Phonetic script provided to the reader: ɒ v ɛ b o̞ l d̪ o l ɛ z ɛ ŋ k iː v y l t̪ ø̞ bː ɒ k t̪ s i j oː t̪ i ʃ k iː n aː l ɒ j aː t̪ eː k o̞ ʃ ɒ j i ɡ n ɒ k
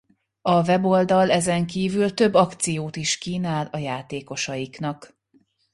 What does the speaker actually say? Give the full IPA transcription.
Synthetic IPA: ɒ v ɛ b o̞ l d̪ ɒ l ɛ z ɛ ŋ k iː v y l t̪ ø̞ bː ɒ k t̪ s i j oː t̪ i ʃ k iː n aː l ɒ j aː t̪ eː k o̞ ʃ ɒ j i k n ɒ k